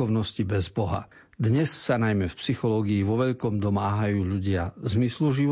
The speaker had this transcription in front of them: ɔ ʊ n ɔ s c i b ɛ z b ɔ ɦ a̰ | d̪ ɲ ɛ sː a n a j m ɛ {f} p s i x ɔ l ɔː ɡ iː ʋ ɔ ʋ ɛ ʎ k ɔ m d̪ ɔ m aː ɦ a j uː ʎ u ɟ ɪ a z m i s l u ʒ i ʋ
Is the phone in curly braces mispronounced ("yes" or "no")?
no